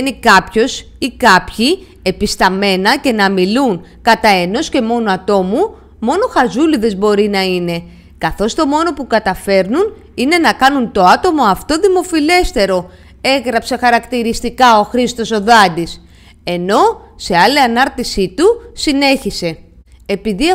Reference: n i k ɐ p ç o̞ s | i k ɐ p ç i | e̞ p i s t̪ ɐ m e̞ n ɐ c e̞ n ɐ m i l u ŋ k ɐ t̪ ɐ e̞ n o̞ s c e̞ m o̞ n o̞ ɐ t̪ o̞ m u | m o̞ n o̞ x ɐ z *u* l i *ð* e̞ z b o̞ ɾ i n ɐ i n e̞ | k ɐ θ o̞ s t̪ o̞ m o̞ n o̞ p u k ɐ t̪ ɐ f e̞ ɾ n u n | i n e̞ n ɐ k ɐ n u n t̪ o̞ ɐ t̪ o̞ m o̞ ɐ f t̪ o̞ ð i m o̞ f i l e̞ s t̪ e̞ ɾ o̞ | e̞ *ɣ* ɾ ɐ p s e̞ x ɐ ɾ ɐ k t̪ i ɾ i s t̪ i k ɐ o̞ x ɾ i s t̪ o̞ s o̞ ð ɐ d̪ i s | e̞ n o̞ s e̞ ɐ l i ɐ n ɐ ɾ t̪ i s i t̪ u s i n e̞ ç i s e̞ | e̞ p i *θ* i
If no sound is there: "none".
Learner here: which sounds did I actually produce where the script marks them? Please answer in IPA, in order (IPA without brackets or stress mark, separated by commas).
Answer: u, ð, ɣ, ð